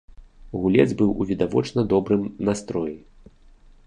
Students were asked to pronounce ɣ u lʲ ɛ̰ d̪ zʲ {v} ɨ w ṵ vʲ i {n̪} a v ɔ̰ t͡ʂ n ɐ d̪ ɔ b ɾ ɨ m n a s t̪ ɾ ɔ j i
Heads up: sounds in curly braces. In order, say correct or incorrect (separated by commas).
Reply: incorrect, incorrect